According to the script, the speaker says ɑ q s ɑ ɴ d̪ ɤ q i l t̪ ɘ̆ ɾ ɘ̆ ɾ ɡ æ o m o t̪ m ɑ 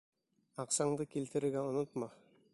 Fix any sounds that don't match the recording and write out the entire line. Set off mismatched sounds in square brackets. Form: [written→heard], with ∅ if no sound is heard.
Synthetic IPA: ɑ q s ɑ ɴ d̪ ɤ [q→k] i l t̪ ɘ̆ ɾ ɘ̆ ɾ ɡ æ o [m→n] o t̪ m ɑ